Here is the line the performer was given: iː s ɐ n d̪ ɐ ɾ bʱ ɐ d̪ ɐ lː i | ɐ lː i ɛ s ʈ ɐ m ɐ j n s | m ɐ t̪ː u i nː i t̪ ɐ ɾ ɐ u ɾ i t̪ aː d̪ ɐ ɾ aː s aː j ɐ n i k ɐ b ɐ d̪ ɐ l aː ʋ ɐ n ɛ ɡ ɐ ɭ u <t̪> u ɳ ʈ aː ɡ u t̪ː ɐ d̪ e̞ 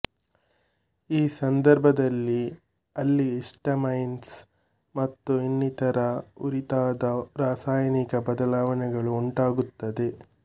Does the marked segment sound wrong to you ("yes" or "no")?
yes